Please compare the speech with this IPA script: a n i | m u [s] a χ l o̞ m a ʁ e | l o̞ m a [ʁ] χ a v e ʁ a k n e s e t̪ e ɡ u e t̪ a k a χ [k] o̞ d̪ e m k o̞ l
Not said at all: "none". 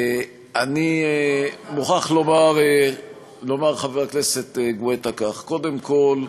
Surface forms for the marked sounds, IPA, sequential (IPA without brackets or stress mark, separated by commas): χ, ʁ, k